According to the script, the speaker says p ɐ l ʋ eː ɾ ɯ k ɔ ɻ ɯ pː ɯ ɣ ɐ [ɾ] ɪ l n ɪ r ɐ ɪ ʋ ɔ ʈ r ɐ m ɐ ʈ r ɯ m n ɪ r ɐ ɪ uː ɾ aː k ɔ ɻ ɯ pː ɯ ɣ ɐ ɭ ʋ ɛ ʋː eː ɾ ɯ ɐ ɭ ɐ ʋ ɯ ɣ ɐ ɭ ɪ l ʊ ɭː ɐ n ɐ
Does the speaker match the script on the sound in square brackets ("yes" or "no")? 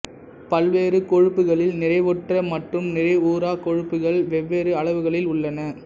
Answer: no